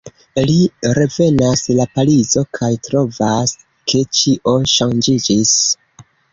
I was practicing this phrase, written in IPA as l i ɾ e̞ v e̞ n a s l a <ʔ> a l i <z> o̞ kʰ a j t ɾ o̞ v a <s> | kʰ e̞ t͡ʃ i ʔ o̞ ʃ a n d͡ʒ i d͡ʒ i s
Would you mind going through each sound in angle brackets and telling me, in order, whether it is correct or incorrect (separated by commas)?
incorrect, correct, correct